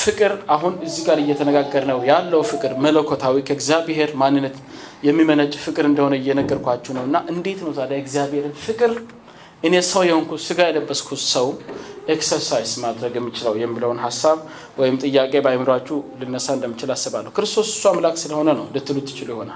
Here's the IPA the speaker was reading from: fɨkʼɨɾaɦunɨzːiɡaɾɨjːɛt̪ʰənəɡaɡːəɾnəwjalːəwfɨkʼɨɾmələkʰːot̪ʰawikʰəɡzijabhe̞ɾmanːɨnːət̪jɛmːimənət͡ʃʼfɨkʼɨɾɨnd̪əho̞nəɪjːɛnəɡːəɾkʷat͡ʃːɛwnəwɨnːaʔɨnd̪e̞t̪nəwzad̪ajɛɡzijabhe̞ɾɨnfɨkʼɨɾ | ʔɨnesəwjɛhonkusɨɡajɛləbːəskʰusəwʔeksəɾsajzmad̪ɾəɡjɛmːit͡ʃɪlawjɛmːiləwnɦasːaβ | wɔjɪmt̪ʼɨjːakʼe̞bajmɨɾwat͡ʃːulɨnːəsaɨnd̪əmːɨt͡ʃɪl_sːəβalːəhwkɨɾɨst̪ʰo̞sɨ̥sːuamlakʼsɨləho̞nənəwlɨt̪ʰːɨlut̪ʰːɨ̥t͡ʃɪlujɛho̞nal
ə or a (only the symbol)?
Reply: a